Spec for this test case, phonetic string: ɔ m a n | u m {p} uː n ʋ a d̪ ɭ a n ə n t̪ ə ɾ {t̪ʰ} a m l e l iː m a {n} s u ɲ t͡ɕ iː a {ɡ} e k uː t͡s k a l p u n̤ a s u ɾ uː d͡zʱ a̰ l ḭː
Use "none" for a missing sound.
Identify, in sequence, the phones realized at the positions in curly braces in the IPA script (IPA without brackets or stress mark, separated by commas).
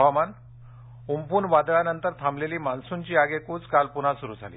p, t̪ʰ, n, ɡ